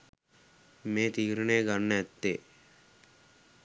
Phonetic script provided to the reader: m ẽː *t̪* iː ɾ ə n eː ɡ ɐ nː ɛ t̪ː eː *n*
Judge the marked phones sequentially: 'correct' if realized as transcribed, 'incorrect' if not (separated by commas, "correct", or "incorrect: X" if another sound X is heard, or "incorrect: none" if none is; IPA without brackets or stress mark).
correct, incorrect: none